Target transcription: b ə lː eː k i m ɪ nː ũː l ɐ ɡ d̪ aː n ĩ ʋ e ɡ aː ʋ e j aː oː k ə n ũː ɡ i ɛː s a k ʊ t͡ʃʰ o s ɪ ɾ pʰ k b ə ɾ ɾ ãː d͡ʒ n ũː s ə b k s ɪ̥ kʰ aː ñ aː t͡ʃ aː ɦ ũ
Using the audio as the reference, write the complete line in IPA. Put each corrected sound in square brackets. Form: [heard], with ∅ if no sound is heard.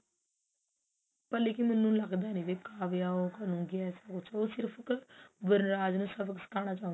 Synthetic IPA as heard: [p] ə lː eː k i m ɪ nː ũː l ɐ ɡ d̪ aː n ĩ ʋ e [k] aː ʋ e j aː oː k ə n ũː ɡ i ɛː s a k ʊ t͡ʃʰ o s ɪ ɾ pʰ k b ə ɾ ɾ [aː] d͡ʒ n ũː s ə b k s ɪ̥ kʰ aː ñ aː t͡ʃ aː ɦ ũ